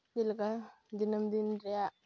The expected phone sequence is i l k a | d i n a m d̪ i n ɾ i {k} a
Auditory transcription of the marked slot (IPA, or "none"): none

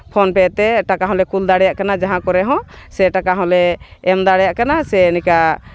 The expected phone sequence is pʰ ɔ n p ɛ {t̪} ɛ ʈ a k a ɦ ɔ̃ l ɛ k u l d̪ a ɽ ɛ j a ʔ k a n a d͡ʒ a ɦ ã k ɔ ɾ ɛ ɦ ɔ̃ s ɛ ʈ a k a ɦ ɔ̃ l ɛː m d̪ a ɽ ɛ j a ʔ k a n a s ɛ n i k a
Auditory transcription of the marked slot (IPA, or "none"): t̪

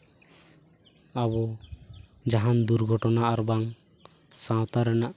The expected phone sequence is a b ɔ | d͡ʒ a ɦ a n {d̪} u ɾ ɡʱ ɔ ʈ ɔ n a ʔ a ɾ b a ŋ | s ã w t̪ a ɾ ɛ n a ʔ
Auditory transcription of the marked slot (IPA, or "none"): d̪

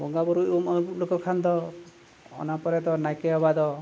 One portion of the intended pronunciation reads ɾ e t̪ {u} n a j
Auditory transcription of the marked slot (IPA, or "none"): ɔ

